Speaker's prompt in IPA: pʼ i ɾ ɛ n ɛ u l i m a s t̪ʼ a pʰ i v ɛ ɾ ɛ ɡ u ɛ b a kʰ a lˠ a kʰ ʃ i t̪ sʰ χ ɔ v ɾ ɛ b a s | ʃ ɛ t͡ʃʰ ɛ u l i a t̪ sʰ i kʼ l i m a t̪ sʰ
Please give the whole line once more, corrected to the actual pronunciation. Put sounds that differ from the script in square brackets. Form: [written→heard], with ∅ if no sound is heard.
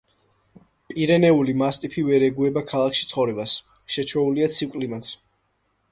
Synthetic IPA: pʼ i ɾ ɛ n ɛ u l i m a s t̪ʼ [a→i] pʰ i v ɛ ɾ ɛ ɡ u ɛ b a kʰ a lˠ a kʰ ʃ i t̪ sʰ χ ɔ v ɾ ɛ b a s | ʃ ɛ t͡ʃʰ ɛ u l i a t̪ sʰ i kʼ l i m a t̪ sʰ